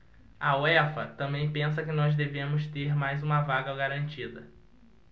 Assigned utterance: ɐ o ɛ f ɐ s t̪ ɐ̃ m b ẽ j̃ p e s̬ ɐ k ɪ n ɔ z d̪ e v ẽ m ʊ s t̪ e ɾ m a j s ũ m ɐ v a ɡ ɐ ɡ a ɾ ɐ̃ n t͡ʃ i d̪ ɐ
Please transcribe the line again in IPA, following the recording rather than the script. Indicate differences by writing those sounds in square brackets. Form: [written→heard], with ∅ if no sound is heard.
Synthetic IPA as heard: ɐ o ɛ f ɐ [s→∅] t̪ ɐ̃ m b ẽ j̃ p [e→ẽ] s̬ ɐ k ɪ n ɔ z d̪ e v ẽ m ʊ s t̪ e ɾ m a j [s→z] ũ m ɐ v a ɡ ɐ ɡ a ɾ ɐ̃ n t͡ʃ i d̪ ɐ